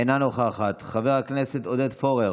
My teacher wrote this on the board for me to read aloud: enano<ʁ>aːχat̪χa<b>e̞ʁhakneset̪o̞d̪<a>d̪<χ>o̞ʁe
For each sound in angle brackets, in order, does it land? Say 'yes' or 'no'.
no, no, no, no

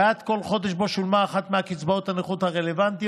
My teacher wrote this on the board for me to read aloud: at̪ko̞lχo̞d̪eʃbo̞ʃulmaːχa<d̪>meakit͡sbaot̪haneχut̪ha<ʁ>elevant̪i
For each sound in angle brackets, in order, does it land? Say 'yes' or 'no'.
no, yes

